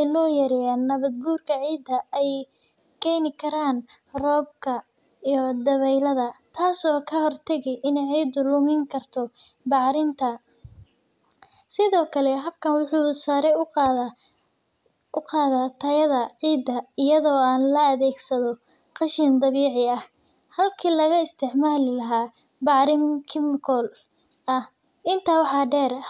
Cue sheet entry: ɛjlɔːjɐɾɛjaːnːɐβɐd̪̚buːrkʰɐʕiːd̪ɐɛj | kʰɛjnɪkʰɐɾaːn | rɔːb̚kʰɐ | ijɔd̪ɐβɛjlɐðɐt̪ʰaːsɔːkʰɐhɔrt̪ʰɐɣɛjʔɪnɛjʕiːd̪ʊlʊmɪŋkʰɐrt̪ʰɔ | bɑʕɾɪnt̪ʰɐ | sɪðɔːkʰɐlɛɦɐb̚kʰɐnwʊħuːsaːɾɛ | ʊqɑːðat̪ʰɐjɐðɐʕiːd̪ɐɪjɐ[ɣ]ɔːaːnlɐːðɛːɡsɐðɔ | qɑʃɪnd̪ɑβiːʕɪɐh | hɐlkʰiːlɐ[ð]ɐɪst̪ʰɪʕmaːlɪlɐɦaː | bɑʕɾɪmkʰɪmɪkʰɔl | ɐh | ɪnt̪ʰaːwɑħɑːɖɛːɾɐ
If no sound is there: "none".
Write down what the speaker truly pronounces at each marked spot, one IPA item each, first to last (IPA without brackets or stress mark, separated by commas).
ð, ɣ